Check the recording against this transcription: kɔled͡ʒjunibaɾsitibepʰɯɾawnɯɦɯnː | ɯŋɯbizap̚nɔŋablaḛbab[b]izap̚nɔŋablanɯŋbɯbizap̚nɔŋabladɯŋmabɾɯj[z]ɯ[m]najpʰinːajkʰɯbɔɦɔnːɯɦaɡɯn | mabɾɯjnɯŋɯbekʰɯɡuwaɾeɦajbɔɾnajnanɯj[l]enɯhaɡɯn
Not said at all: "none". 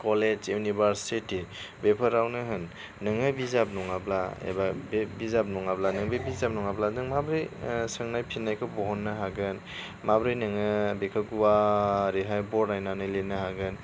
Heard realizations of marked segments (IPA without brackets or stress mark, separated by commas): b, s, ŋ, l